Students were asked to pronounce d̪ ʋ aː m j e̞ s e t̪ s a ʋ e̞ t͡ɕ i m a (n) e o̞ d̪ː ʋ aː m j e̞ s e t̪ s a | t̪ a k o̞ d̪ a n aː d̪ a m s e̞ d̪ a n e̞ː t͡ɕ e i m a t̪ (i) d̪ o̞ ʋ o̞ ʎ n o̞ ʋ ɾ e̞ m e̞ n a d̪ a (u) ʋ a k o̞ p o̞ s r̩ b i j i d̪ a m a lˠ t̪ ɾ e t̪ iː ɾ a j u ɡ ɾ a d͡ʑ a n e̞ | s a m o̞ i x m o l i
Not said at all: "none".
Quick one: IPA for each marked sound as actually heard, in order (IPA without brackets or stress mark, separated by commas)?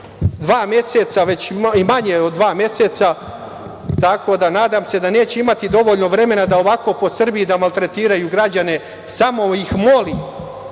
ɲ, i, o